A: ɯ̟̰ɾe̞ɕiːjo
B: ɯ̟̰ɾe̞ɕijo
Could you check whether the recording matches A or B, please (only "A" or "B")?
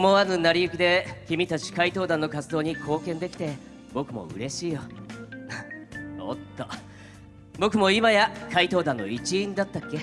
A